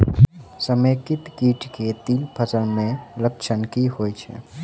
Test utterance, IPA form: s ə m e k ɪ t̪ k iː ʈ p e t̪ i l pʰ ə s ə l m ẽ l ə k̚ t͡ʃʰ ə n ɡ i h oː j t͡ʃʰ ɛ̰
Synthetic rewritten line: s ə m e k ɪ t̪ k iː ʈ k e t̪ i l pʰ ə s ə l m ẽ l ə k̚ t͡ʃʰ ə n k i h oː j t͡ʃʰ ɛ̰